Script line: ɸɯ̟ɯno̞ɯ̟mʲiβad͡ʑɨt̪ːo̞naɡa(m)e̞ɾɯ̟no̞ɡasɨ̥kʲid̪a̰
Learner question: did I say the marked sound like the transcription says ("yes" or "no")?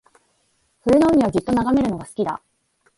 yes